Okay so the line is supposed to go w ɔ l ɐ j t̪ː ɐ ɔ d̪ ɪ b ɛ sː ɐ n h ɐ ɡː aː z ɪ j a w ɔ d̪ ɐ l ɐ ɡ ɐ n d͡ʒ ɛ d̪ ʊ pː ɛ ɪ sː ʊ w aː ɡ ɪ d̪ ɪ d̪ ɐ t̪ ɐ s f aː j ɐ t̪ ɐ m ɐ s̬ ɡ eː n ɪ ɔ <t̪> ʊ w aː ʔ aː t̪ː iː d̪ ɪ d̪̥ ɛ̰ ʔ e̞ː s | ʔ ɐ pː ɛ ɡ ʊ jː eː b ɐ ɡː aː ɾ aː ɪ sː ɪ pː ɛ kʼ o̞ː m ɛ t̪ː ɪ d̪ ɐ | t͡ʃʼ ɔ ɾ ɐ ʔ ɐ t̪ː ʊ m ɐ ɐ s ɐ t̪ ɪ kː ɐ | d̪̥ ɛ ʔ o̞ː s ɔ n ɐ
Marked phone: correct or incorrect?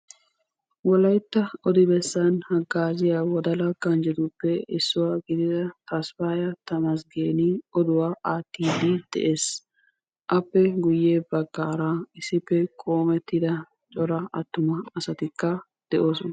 incorrect